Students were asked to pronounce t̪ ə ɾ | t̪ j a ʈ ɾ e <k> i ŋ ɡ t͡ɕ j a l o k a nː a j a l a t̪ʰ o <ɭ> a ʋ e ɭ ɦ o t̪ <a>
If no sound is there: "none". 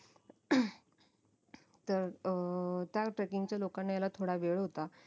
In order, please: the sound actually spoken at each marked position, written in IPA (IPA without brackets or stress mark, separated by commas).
k, ɽ, a